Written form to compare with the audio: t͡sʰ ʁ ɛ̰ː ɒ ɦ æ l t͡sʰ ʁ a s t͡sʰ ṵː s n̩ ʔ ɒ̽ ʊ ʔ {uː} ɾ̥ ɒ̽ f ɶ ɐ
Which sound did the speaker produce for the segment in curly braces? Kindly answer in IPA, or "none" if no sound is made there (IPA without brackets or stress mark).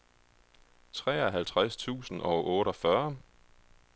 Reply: ɔː